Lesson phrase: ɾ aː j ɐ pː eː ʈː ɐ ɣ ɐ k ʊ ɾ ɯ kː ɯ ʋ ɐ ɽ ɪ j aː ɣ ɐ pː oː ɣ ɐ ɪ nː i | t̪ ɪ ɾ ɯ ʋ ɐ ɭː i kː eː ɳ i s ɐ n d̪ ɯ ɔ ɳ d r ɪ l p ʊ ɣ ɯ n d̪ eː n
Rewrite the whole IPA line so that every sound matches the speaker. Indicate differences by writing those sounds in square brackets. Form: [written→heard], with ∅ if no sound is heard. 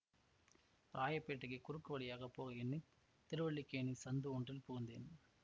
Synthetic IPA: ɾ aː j ɐ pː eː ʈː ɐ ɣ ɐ k ʊ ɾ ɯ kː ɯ ʋ ɐ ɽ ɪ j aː ɣ ɐ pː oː ɣ ɐ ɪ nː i | t̪ ɪ ɾ ɯ ʋ ɐ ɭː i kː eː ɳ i s ɐ n d̪ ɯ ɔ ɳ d r ɪ l p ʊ ɣ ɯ n d̪ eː n